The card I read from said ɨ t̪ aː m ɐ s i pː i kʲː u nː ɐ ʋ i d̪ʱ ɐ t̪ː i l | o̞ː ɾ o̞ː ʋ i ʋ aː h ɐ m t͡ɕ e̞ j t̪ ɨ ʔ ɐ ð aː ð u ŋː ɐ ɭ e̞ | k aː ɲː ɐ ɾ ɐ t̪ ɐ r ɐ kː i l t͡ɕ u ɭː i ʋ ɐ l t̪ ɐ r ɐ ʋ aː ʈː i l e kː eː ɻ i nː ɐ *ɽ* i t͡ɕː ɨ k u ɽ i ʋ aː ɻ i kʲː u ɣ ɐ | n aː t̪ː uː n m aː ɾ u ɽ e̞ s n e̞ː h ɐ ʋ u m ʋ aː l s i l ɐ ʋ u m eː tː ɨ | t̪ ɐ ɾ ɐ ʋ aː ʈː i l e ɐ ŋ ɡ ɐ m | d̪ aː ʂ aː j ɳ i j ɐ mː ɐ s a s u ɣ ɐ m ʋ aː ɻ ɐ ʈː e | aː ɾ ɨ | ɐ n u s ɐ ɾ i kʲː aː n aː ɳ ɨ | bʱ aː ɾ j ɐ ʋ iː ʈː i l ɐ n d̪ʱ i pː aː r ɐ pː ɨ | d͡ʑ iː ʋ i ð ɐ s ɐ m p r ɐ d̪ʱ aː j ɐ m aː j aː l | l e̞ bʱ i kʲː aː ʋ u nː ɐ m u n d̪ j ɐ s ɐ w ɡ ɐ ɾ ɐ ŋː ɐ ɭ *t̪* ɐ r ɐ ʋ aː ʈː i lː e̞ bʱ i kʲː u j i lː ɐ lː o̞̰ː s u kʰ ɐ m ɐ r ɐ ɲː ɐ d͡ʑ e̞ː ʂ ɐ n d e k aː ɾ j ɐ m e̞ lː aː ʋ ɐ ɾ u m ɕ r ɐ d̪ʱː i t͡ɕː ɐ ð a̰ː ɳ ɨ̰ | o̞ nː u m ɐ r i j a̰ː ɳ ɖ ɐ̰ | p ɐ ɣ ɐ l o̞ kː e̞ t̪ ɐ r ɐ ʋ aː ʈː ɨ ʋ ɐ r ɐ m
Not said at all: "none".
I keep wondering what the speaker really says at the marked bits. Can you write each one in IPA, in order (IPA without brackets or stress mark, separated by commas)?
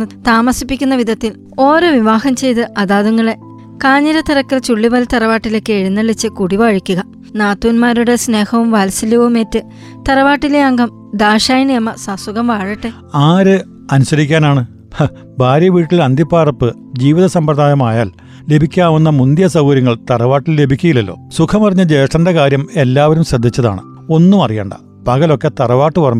ɭ, t̪